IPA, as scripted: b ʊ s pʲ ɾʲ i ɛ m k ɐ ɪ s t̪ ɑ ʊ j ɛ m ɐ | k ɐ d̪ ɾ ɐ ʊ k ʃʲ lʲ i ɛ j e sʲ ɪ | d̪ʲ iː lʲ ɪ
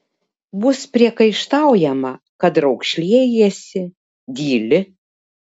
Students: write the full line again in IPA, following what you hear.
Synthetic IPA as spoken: b ʊ s pʲ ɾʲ i ɛ k ɐ ɪ ʃ t̪ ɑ ʊ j ɛ m ɐ | k ɐ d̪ ɾ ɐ ʊ k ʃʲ lʲ i ɛ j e sʲ ɪ | d̪ʲ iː lʲ ɪ